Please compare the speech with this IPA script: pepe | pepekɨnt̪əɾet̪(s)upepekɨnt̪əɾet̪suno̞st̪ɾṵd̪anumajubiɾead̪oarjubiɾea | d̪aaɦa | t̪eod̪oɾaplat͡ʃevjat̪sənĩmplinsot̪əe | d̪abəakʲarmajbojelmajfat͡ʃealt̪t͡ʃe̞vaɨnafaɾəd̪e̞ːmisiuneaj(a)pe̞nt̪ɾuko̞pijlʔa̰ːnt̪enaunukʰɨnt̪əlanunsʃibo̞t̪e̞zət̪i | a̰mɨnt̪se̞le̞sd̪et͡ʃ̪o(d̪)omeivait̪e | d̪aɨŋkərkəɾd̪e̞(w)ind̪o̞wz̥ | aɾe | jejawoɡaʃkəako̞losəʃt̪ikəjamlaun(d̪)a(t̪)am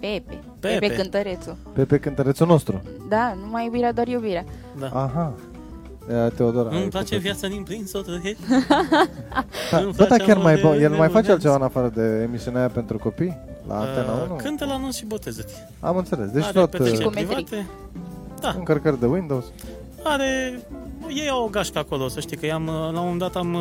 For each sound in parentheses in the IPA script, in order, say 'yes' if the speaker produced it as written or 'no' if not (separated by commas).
yes, yes, no, yes, yes, yes